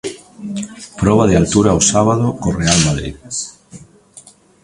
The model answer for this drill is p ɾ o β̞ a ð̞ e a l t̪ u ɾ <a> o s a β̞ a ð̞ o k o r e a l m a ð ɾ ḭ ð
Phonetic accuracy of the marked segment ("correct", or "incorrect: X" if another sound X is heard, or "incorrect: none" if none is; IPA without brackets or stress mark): correct